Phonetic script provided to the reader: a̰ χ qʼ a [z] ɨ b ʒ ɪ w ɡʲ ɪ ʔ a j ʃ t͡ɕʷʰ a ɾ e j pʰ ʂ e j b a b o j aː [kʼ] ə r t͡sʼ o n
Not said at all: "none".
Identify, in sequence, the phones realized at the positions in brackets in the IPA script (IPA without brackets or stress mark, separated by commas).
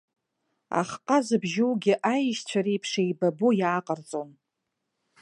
z, qʼ